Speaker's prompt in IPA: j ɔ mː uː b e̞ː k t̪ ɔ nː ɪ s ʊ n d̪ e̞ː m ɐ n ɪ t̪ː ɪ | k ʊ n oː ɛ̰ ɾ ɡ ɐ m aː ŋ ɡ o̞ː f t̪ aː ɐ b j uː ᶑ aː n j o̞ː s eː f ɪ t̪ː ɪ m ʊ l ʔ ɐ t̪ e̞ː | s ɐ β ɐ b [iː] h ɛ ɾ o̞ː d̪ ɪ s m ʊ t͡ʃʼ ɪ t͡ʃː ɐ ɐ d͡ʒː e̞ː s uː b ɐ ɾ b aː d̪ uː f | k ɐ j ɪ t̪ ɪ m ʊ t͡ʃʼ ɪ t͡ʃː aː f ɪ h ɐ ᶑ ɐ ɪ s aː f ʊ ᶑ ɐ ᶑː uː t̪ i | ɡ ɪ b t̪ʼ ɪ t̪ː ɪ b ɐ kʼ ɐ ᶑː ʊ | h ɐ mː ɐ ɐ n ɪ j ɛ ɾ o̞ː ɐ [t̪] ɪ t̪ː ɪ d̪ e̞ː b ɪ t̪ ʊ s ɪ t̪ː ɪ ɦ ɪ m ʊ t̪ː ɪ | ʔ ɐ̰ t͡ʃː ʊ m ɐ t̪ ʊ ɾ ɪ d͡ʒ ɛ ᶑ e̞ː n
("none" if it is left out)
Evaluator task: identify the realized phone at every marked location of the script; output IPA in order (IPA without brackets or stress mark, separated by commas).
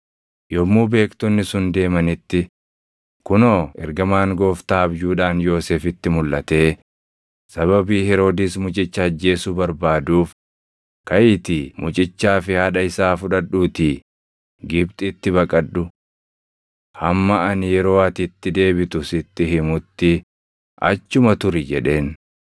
iː, t̪